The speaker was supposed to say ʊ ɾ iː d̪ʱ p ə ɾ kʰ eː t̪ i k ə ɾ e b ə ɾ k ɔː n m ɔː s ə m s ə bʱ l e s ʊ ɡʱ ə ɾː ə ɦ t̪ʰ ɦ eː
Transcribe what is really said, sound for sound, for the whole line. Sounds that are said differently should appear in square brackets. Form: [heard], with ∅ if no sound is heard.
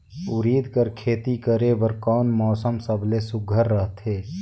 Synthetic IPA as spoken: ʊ ɾ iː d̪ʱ [k] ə ɾ kʰ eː t̪ i k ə ɾ e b ə ɾ k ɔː n m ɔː s ə m s ə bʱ l e s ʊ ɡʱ ə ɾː ə ɦ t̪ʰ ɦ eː